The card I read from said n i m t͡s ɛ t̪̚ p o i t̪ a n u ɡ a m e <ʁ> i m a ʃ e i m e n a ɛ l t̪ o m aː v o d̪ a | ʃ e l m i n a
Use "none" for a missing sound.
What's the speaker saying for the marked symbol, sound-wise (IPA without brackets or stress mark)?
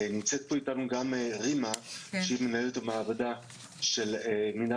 ʁ